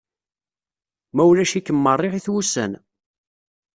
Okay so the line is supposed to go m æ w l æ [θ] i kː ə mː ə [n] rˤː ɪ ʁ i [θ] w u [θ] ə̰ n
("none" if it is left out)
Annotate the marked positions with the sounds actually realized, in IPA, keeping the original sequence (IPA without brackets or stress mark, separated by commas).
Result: ʃ, none, θ, s